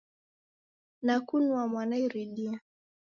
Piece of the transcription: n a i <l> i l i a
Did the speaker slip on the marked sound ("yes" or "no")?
yes